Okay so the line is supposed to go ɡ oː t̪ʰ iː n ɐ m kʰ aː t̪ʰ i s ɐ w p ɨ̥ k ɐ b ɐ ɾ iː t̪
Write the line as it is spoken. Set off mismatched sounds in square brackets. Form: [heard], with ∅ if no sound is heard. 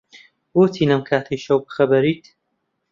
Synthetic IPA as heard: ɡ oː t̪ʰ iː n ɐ m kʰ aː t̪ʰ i [ʃ] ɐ w [b] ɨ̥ [x] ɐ b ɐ ɾ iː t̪